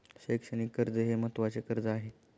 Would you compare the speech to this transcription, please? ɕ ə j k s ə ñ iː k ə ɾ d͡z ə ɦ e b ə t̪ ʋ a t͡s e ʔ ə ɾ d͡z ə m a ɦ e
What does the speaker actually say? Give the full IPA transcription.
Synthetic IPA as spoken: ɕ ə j k ʂ ə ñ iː k ə ɾ d͡z ə ɦ e m ə t̪ ʋ a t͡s e k ə ɾ d͡z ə a ɦ e